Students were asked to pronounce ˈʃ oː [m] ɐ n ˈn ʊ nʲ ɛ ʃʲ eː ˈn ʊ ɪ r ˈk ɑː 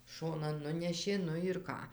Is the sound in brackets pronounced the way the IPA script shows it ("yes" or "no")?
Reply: no